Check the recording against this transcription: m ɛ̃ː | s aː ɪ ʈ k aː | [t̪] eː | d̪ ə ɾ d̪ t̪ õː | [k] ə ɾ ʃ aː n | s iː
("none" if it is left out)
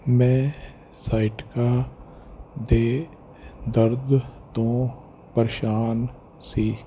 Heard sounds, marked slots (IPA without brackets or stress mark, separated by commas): d̪, p